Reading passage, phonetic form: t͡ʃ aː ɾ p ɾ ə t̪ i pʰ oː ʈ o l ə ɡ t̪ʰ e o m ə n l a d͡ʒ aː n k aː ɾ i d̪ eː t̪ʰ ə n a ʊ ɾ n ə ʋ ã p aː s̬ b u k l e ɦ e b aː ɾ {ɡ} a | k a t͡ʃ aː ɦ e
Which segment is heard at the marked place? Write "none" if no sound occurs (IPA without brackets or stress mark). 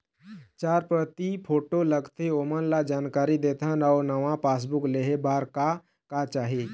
k